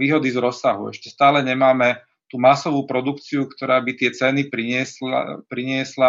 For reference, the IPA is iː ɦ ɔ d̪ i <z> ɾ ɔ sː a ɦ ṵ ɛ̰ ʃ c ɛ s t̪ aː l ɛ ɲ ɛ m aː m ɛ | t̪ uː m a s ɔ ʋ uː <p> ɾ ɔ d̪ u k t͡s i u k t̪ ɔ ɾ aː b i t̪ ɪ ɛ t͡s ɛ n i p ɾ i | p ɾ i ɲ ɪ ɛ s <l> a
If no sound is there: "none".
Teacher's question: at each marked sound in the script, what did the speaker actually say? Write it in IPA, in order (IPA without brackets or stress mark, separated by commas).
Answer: z, p, l